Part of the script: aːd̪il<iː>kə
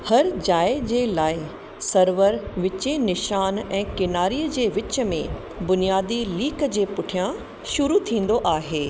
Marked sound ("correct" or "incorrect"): correct